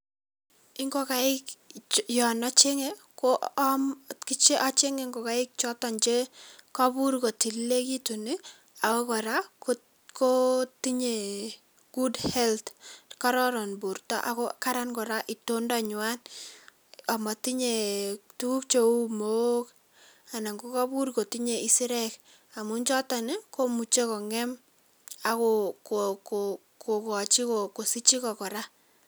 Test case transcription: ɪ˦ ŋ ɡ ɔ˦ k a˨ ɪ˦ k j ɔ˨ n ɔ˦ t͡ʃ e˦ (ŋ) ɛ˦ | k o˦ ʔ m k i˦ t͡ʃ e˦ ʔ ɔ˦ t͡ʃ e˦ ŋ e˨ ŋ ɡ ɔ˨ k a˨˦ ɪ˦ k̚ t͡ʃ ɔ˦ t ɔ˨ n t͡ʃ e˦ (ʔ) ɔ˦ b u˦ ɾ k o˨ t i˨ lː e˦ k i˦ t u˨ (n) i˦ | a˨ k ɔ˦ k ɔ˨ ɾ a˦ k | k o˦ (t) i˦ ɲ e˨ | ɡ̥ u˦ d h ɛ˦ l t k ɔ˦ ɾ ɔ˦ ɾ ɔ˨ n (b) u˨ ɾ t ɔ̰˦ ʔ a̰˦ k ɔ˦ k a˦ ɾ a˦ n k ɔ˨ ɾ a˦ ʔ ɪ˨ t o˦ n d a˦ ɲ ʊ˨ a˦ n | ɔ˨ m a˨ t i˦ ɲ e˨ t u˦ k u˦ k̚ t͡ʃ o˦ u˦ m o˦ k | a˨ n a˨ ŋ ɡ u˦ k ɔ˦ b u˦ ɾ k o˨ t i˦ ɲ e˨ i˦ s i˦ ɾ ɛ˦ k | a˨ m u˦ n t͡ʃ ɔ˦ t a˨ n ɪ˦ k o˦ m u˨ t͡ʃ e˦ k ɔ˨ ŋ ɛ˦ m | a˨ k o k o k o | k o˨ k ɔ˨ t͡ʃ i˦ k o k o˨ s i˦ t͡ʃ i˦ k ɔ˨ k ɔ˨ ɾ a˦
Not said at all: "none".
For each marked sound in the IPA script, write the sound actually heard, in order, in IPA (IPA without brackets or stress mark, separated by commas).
ŋ, k, n, t, b